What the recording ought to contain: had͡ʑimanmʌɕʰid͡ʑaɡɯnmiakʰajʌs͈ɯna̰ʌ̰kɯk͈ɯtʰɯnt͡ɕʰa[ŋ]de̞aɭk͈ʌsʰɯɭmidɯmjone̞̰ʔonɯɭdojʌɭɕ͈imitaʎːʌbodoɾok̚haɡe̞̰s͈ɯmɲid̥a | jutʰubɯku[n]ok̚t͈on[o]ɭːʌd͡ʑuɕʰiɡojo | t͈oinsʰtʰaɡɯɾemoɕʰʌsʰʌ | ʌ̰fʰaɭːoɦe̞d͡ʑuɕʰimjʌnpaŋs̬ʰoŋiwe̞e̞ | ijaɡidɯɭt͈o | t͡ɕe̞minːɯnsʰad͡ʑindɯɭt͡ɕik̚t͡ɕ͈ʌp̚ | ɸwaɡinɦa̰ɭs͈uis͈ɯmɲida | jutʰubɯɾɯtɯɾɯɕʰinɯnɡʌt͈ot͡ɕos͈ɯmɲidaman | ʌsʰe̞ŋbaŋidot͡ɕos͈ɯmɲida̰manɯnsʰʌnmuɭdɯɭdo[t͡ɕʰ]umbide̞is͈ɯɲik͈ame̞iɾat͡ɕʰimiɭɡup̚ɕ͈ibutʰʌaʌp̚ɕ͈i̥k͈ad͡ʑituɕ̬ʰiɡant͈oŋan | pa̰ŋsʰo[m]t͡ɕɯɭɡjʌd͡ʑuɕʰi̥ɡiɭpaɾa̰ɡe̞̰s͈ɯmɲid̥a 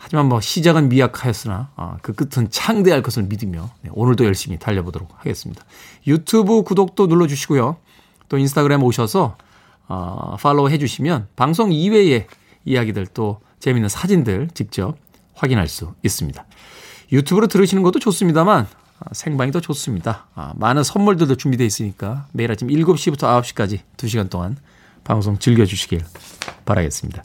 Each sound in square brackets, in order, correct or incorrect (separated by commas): correct, incorrect, incorrect, incorrect, incorrect